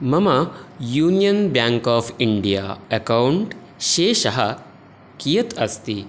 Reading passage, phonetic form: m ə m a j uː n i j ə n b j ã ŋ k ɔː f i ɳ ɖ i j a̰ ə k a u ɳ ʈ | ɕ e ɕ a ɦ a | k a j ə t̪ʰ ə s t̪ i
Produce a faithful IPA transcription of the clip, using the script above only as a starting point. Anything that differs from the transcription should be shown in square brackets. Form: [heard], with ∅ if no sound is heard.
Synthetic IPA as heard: m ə m a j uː n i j ə n b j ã ŋ k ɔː f i ɳ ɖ i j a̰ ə k a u ɳ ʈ | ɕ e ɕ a ɦ a | k [i] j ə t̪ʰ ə s t̪ i